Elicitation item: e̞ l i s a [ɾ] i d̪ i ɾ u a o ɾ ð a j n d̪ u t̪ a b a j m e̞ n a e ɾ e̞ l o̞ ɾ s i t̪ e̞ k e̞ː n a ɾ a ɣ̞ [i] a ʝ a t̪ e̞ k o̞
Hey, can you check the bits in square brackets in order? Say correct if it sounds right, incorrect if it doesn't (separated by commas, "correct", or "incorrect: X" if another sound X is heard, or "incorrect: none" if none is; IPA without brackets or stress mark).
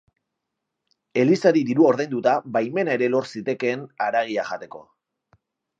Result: correct, correct